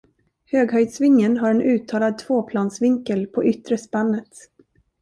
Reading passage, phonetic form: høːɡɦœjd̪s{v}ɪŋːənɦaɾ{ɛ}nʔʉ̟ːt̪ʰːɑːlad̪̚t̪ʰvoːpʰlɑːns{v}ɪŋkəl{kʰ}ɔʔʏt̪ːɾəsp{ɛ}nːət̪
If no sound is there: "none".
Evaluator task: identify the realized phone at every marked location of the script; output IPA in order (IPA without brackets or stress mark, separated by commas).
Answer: v, ɛ, v, pʰ, a